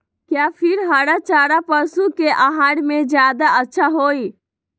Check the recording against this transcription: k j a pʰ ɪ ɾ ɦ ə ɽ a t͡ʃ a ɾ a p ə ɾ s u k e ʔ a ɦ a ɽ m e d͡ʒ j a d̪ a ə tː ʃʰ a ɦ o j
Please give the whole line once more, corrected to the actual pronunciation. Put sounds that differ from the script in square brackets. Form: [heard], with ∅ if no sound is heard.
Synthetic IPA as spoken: k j a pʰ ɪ ɾ ɦ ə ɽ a t͡ʃ a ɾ a p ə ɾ s u k e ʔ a ɦ a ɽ m e d͡ʒ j a d̪ a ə tː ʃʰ a ɦ o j